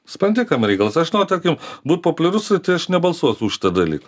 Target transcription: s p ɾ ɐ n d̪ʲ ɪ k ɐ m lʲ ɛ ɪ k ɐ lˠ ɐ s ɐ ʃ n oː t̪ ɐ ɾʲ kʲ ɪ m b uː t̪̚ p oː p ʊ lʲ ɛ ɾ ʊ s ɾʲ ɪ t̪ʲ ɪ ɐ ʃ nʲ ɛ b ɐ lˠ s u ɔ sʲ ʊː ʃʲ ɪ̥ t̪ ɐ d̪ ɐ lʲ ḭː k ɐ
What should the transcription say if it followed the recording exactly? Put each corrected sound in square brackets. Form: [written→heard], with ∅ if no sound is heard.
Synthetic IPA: s p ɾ ɐ n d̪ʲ ɪ k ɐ m [lʲ→ɾʲ] ɛ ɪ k ɐ lˠ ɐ s ɐ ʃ n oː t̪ ɐ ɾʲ kʲ ɪ m b uː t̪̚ p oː p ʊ lʲ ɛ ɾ ʊ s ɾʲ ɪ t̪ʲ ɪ ɐ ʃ nʲ ɛ b ɐ lˠ s u ɔ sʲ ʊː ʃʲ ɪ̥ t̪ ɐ d̪ ɐ lʲ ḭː k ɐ